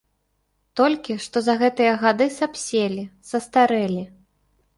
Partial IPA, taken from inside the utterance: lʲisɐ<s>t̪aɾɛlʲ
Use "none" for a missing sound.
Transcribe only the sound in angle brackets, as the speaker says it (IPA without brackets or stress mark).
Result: s